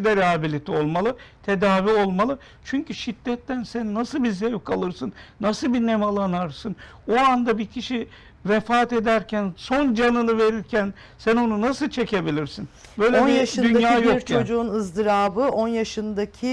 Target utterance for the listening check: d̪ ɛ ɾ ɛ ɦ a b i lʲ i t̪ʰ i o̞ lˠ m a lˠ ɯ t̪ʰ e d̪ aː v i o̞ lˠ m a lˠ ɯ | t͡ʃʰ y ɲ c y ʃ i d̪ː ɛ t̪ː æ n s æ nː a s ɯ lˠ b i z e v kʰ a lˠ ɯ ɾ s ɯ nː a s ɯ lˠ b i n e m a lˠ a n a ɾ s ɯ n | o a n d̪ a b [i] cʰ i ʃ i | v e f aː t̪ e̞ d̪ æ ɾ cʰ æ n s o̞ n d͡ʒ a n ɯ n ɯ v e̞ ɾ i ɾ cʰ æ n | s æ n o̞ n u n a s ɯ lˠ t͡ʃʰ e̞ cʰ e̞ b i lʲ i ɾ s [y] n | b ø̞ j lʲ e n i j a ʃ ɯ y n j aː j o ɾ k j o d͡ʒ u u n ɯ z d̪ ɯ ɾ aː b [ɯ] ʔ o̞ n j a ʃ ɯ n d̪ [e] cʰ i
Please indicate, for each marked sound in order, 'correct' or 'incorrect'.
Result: correct, incorrect, correct, incorrect

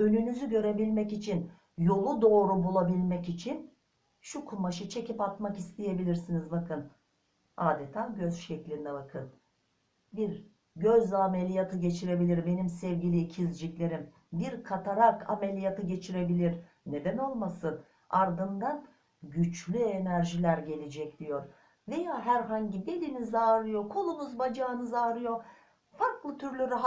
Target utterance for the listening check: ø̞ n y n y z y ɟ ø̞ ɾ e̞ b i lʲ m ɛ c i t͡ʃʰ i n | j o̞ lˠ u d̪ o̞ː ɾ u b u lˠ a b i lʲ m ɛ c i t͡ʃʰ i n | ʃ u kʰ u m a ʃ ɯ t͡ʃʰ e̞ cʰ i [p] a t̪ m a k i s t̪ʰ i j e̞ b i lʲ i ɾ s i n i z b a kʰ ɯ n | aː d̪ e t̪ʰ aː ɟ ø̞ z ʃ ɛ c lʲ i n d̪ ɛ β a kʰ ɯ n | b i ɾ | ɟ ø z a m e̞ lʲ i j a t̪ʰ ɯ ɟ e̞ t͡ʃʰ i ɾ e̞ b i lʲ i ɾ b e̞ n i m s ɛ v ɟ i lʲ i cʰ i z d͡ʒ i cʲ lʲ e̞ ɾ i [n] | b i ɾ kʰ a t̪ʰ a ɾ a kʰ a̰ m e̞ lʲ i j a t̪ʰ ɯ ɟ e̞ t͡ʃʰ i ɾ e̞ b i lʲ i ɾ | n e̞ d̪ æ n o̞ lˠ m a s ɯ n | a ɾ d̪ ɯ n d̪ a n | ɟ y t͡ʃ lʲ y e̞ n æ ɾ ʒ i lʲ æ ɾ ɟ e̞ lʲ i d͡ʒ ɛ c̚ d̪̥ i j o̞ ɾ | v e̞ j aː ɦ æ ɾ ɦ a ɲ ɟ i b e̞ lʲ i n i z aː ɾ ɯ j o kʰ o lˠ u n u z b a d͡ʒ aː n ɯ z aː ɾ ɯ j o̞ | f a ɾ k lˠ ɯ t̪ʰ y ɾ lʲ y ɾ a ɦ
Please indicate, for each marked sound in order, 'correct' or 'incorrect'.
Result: correct, incorrect

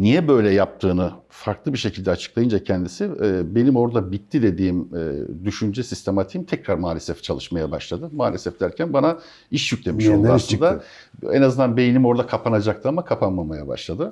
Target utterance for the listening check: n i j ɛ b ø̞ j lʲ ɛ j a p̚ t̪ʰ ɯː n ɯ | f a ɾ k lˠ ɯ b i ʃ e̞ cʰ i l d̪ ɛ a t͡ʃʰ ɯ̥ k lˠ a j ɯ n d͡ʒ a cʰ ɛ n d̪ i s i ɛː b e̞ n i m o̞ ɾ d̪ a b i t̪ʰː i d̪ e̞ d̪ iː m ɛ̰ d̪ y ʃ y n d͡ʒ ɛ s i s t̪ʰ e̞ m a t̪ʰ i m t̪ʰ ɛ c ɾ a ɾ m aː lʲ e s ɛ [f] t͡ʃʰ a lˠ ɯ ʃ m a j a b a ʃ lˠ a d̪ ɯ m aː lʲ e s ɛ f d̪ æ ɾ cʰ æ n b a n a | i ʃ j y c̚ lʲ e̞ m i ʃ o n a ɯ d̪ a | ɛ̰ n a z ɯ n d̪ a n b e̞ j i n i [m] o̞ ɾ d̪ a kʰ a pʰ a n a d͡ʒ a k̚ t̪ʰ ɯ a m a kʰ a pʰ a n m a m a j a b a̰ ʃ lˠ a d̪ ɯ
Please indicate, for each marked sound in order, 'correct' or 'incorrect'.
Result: correct, correct

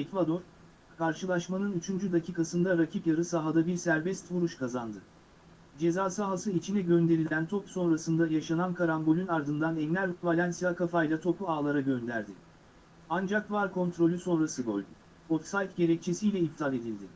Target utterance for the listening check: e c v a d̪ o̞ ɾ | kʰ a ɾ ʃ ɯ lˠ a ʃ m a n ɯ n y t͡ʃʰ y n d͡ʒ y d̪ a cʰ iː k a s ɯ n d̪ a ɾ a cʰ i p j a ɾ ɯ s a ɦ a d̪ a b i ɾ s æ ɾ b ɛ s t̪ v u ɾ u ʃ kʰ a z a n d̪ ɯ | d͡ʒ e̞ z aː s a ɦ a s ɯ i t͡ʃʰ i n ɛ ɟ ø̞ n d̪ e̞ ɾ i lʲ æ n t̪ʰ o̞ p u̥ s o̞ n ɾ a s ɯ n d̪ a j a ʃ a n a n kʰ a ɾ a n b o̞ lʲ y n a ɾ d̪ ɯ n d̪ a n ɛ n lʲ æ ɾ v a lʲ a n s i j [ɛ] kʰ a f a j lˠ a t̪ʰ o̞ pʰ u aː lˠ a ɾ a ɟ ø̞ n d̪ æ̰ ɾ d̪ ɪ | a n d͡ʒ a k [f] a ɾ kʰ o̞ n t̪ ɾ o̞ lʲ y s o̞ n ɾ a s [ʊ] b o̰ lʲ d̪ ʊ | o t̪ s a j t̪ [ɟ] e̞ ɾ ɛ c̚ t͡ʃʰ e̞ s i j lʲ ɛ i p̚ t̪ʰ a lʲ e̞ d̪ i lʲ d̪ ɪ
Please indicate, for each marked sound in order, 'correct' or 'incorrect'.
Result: incorrect, incorrect, incorrect, correct

